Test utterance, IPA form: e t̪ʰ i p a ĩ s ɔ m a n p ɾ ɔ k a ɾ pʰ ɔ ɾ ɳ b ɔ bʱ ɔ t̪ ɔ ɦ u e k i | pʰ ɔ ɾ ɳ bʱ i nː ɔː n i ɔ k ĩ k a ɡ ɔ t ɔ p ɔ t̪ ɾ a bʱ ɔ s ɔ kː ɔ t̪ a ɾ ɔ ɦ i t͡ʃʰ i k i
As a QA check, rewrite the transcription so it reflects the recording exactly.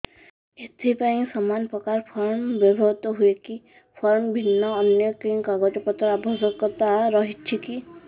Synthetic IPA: e t̪ʰ i p a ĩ s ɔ m a n p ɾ ɔ k a ɾ pʰ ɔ ɾ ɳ b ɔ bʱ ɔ t̪ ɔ ɦ u e k i | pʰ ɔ ɾ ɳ bʱ i nː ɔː n j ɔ k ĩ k a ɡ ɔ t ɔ p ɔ t̪ ɾ a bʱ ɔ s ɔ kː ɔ t̪ a ɾ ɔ ɦ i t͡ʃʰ i k i